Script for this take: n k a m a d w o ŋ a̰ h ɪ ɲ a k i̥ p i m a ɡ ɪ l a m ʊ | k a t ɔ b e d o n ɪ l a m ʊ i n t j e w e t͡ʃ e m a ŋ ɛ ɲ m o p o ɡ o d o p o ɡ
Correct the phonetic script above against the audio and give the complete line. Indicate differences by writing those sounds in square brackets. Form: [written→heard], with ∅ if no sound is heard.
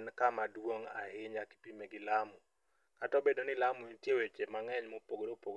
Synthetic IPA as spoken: n k a m a d w o ŋ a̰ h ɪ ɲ a k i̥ p i m [a→e] ɡ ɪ l a m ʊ | k a t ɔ b e d o n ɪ l a m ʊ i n t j e w e t͡ʃ e m a ŋ ɛ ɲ m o p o ɡ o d o p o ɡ